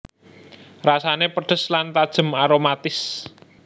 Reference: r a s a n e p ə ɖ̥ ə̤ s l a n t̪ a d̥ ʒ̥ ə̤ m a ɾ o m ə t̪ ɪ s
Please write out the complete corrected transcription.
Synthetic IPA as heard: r a s a n e p ə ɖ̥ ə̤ s l a n t̪ a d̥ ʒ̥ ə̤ m a ɾ o m a t̪ ɪ s